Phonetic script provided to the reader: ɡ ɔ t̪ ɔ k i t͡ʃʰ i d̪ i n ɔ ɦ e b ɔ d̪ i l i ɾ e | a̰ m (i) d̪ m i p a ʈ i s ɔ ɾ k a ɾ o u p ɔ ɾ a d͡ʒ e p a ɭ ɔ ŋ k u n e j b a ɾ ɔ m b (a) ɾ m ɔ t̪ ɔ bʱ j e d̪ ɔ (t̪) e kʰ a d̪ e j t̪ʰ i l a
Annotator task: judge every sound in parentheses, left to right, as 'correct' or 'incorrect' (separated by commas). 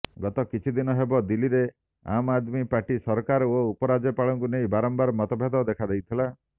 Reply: incorrect, correct, incorrect